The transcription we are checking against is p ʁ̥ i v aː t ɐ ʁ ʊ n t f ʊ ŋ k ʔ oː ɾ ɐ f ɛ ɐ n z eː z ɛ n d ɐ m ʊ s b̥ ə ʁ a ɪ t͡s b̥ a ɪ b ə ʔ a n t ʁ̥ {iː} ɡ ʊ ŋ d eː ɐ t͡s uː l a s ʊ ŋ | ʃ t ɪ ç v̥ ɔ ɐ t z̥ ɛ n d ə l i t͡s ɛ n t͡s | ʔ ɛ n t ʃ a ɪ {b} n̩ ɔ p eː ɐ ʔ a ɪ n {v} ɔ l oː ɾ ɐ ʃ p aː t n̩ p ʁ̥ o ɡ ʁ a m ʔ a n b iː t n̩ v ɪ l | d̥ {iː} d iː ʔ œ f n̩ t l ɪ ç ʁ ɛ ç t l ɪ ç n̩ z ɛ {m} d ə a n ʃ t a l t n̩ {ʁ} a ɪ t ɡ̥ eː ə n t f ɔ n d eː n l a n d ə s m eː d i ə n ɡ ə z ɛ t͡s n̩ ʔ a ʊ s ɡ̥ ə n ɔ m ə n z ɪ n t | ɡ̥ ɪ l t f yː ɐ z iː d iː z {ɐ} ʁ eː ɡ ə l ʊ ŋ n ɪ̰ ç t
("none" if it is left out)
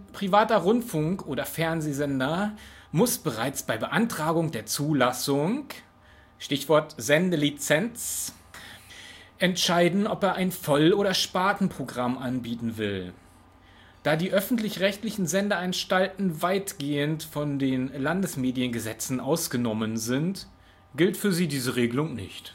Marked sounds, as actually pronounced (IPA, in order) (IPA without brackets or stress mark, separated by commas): aː, d, f, aː, n, v, ə